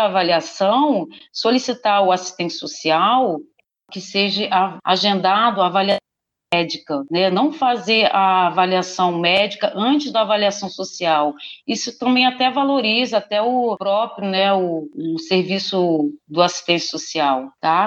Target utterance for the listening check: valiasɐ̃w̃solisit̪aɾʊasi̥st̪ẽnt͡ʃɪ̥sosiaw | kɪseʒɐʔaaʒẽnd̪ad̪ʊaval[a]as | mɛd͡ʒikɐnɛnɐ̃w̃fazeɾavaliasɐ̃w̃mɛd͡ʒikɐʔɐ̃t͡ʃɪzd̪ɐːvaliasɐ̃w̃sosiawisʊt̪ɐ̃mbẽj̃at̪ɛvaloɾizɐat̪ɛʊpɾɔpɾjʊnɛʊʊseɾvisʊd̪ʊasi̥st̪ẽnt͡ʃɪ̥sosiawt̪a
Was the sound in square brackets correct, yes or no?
no